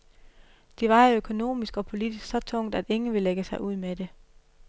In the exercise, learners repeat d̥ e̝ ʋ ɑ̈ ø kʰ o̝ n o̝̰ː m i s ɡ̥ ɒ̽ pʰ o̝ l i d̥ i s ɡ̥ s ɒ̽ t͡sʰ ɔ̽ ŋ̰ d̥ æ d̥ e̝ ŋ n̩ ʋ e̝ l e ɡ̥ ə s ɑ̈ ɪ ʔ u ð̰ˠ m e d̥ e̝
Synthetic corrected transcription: d̥ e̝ ʋ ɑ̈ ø kʰ o̝ n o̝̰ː m i s ɡ̥ ɒ̽ pʰ o̝ l i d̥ i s ɡ̥ s ɒ̽ t͡sʰ ɔ̽ ŋ̰ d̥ æ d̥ e̝ ŋ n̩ ʋ e̝ l e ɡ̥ ə s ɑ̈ ɪ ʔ u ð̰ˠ m e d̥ e̝